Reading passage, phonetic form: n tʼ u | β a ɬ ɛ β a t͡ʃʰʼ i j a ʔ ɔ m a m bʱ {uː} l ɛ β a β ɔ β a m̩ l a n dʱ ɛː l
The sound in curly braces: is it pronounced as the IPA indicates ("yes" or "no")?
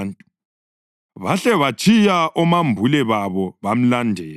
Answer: no